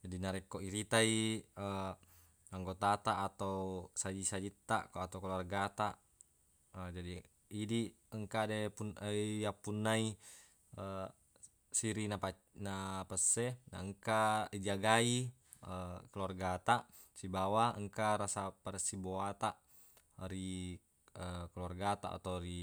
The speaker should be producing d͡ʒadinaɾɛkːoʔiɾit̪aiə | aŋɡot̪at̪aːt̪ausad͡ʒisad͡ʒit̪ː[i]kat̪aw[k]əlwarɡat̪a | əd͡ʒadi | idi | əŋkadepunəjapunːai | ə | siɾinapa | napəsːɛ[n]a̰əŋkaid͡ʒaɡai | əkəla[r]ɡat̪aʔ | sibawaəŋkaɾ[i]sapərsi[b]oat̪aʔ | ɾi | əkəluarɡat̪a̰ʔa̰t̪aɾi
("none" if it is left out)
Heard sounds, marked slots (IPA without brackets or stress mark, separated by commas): a, k, n, r, a, b